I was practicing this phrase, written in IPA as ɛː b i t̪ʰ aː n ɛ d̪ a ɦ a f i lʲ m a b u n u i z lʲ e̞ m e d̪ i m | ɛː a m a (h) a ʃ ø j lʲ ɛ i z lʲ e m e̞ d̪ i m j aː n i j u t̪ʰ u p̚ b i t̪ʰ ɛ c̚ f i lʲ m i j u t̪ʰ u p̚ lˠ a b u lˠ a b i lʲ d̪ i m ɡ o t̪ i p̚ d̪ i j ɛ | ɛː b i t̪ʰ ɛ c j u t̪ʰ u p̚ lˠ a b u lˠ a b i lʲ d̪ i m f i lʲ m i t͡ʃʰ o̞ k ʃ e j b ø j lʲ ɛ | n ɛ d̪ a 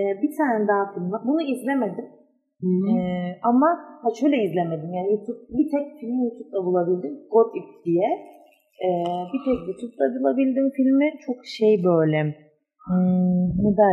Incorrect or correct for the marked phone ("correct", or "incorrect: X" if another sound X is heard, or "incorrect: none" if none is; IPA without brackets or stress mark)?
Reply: correct